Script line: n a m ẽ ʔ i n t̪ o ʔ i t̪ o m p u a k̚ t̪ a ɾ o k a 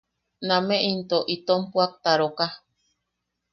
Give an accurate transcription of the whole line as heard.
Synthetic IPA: n a m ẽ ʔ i n t̪ o ʔ i t̪ o m p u a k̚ t̪ a ɾ o k a